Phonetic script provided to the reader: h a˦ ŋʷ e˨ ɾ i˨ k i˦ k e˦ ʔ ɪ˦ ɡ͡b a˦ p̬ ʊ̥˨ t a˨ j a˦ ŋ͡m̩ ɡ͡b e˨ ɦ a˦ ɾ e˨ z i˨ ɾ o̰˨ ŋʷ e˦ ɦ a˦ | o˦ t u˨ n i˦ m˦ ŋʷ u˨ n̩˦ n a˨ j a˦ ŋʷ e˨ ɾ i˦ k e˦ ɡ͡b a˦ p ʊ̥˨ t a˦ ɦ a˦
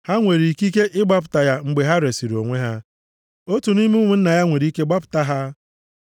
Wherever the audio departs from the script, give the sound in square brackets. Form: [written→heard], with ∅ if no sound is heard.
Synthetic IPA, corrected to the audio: h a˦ ŋʷ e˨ ɾ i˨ k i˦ k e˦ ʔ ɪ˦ ɡ͡b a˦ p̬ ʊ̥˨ t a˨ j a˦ ŋ͡m̩ ɡ͡b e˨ ɦ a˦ ɾ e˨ [z→s] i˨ ɾ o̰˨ ŋʷ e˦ ɦ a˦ | o˦ t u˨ n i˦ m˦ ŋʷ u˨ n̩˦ n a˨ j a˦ ŋʷ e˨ ɾ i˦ k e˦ ɡ͡b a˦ p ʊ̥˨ t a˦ ɦ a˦